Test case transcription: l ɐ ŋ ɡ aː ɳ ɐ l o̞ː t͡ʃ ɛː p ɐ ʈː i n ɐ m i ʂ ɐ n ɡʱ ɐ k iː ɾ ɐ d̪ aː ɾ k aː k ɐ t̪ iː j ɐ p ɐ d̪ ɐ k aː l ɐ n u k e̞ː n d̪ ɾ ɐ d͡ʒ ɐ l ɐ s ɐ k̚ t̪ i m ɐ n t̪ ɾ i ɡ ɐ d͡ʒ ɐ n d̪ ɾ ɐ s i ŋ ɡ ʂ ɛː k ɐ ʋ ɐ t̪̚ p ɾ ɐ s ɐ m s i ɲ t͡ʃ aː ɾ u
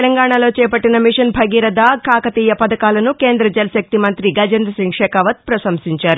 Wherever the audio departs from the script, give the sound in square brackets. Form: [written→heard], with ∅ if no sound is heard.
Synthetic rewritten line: l ɐ ŋ ɡ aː ɳ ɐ l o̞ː t͡ʃ ɛː p ɐ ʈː i n ɐ m i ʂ ɐ n [ɡʱ→bʱ] ɐ [k→ɡ] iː ɾ ɐ d̪ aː [ɾ→∅] k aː k ɐ t̪ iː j ɐ p ɐ d̪ ɐ k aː l ɐ n u k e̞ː n d̪ ɾ ɐ d͡ʒ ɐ l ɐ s ɐ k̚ t̪ i m ɐ n t̪ ɾ i ɡ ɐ d͡ʒ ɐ n d̪ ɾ ɐ s i ŋ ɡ ʂ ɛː k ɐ ʋ ɐ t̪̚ p ɾ ɐ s ɐ m s i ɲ t͡ʃ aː ɾ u